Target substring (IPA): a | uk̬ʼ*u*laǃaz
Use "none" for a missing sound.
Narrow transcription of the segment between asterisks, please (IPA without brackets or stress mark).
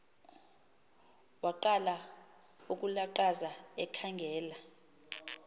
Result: u